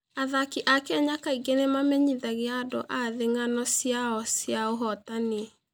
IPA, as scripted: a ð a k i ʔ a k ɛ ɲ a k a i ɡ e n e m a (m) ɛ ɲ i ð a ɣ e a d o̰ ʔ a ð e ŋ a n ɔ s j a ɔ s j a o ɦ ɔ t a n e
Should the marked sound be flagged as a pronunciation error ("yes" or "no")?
no